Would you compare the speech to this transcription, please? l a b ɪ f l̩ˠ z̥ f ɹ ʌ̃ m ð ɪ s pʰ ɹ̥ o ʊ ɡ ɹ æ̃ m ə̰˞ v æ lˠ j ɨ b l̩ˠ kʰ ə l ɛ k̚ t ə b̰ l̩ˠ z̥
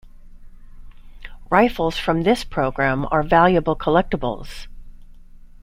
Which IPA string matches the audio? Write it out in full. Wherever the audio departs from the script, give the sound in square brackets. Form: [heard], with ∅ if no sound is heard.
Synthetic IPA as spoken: [ɹ] a [∅] ɪ f l̩ˠ z̥ f ɹ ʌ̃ m ð ɪ s pʰ ɹ̥ o ʊ ɡ ɹ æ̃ m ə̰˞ v æ lˠ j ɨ b l̩ˠ kʰ ə l ɛ k̚ t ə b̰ l̩ˠ z̥